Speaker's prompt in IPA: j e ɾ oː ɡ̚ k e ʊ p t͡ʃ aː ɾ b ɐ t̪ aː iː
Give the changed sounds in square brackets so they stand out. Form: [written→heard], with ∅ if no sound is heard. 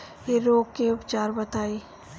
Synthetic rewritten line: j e ɾ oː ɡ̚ k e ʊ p t͡ʃ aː ɾ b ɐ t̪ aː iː